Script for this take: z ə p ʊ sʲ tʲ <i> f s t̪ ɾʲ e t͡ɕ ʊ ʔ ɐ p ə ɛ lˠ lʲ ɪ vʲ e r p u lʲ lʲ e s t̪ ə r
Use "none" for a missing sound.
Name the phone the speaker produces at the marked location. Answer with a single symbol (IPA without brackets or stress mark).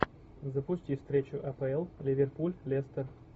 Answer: i